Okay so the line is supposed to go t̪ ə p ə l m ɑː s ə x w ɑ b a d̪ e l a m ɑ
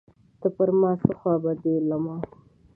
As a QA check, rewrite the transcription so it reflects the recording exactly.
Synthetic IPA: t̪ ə p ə ɾ m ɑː s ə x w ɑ b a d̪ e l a m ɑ